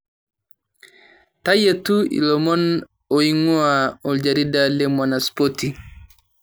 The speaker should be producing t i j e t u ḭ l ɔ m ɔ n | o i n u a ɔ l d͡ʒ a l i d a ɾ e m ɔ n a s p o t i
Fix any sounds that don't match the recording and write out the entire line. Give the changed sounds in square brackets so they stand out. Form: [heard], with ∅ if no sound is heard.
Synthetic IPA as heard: t [a] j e t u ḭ l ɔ m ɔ n | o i [ŋ] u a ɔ l d͡ʒ a [ɾ] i d a [l] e m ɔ n a s p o t i